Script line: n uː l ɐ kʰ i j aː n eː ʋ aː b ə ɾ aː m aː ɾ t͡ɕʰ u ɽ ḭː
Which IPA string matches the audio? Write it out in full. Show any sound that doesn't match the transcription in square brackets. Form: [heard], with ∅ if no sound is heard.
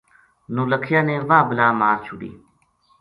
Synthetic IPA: n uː l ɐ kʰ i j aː n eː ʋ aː b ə [l] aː m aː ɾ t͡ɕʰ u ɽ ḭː